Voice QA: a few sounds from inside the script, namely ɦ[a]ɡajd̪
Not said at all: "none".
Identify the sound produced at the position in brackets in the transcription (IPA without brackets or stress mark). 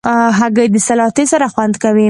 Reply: a